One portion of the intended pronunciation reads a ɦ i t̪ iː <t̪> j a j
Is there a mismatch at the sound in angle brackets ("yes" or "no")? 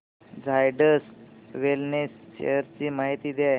yes